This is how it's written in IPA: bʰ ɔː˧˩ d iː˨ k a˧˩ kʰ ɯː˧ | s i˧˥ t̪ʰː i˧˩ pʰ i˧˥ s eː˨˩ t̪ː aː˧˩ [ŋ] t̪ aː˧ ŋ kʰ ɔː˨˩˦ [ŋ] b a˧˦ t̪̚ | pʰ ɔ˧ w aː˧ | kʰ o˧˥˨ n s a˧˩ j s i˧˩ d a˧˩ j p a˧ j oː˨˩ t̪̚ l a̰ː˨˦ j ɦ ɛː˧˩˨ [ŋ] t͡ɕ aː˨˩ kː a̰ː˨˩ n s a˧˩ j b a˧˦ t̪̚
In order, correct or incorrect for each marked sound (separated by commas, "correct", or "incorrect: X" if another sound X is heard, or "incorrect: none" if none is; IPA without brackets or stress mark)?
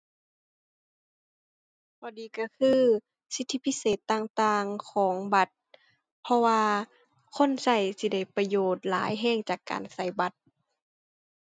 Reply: correct, correct, correct